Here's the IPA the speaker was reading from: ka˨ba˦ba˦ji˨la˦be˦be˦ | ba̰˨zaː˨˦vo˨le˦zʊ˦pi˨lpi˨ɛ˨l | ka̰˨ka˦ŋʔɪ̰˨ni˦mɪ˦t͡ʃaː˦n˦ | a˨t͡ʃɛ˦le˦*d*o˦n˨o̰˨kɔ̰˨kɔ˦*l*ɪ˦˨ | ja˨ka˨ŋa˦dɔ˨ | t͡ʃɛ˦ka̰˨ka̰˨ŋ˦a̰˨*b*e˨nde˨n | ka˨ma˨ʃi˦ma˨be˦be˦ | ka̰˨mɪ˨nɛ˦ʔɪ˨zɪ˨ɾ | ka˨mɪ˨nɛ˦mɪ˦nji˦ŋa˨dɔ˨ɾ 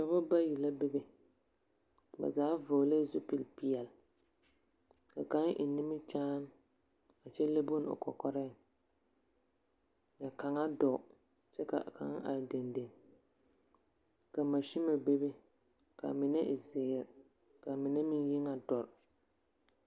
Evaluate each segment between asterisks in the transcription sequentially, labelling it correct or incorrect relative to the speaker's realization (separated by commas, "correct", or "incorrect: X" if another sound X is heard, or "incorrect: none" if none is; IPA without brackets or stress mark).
incorrect: b, incorrect: ɾ, incorrect: d